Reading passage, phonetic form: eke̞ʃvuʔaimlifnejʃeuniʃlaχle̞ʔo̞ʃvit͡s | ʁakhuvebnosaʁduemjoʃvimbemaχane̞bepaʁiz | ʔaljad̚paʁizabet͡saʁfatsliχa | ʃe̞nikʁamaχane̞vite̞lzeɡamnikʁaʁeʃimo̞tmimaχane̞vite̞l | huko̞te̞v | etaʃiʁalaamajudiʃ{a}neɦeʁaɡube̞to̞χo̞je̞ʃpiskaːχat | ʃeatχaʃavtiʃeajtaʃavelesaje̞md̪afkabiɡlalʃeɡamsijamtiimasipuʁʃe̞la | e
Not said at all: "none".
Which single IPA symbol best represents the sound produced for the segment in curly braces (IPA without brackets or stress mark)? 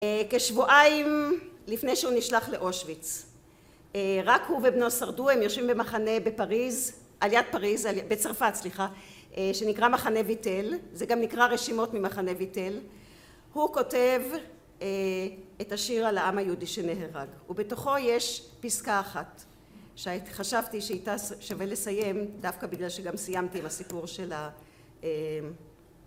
e